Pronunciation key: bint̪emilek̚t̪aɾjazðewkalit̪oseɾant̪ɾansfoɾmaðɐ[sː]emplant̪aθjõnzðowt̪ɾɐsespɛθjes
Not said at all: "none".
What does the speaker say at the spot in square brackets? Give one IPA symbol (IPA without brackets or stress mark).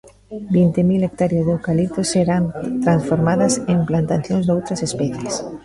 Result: s